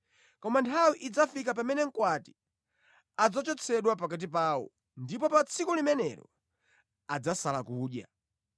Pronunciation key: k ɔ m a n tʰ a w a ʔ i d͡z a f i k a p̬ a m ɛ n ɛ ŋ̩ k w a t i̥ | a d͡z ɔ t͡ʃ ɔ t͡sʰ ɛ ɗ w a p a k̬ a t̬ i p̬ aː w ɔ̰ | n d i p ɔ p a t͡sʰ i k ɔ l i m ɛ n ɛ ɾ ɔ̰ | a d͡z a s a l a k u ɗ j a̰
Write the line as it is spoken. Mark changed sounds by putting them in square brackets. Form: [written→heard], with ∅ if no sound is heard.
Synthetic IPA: k ɔ m a n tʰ a w [a→i] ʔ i d͡z a f i k a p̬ a m ɛ n ɛ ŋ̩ k w a t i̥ | a d͡z ɔ t͡ʃ ɔ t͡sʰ ɛ ɗ w a p a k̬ a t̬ i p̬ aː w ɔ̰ | n d i p ɔ p a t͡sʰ i k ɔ l i m ɛ n ɛ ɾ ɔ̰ | a d͡z a s a l a k [u→uː] ɗ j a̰